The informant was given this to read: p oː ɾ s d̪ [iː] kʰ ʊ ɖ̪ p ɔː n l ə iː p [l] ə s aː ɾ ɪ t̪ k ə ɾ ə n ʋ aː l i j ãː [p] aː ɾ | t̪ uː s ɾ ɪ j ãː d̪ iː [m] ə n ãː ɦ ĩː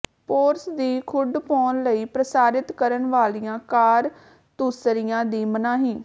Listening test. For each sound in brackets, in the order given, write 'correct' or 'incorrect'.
correct, incorrect, incorrect, correct

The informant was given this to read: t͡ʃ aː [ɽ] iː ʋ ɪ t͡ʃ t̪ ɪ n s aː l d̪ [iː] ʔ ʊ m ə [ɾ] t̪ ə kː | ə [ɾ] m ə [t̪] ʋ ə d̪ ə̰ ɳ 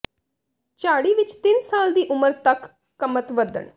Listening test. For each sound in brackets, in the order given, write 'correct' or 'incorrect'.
correct, correct, correct, incorrect, correct

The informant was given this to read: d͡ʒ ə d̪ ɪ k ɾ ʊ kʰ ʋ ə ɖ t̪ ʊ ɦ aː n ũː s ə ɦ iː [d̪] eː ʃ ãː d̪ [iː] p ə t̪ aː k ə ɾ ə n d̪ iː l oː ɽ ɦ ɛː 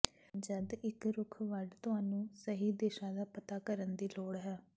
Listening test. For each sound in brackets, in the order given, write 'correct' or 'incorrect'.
correct, incorrect

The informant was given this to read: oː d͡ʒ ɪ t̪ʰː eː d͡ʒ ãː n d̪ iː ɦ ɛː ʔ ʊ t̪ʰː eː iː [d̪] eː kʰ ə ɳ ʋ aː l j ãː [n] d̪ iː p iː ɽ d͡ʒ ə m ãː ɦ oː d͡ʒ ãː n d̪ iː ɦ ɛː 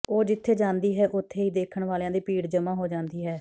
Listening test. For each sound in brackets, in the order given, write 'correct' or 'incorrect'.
correct, incorrect

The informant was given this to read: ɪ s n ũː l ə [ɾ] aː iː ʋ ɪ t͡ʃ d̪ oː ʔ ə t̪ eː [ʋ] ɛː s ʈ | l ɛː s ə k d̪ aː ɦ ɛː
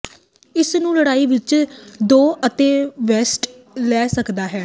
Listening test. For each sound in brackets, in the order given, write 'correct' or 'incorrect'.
incorrect, correct

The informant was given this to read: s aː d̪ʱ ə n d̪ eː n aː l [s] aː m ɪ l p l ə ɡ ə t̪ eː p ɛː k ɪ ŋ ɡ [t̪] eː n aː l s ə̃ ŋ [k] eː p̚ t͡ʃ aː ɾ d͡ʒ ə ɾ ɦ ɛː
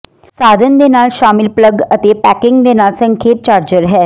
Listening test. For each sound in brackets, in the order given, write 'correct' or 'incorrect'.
incorrect, incorrect, incorrect

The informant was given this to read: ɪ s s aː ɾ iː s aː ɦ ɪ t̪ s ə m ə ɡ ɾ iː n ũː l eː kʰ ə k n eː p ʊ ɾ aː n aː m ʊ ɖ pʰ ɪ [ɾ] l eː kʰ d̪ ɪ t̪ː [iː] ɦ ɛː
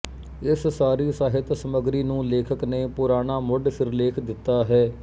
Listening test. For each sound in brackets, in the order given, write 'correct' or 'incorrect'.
correct, incorrect

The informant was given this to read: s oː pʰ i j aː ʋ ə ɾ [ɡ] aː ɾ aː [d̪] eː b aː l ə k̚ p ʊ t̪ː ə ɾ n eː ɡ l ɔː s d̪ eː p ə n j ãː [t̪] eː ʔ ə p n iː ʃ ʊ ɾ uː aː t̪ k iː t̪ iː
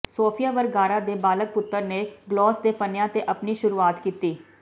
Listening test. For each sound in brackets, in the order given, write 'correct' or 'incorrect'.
correct, correct, correct

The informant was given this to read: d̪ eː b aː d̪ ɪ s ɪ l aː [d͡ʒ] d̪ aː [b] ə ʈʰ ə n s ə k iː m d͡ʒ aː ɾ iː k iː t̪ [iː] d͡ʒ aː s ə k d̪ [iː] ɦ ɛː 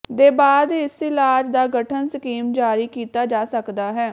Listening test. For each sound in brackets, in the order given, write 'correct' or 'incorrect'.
correct, incorrect, incorrect, incorrect

